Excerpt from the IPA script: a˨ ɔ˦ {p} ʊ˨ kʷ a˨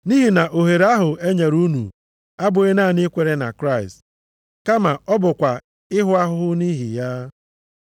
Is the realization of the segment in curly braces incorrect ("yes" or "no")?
yes